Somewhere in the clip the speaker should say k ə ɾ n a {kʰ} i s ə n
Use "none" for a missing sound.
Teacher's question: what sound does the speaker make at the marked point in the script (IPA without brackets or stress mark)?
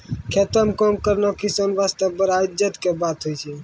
k